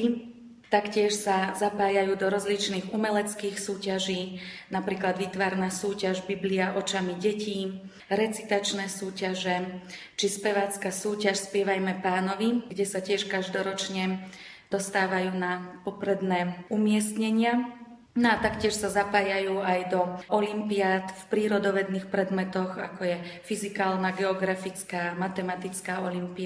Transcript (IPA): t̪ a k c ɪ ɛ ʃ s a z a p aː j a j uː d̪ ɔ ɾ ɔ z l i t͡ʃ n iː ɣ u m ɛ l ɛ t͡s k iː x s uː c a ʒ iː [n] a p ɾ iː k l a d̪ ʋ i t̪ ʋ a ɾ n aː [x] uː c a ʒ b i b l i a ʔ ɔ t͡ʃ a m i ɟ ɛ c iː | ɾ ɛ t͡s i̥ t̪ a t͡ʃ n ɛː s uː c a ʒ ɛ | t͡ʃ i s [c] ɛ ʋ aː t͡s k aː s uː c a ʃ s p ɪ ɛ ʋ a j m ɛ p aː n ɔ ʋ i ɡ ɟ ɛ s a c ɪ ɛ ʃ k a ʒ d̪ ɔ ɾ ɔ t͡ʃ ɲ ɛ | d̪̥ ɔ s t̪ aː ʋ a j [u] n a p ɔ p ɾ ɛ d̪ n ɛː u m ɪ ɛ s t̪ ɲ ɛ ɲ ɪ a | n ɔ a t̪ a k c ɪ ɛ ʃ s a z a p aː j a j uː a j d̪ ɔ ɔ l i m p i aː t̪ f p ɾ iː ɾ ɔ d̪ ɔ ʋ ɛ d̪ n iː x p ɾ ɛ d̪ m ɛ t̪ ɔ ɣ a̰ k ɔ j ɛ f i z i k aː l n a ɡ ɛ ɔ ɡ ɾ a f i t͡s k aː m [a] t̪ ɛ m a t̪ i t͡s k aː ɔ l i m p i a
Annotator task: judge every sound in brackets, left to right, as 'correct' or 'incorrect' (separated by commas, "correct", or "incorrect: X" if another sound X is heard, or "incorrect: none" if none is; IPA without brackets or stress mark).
correct, incorrect: s, incorrect: p, incorrect: uː, correct